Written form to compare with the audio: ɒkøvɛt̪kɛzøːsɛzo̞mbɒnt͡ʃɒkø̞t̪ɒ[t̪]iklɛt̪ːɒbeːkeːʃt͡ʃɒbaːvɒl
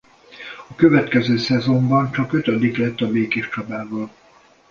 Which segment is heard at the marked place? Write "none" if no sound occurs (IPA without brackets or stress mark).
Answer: d̪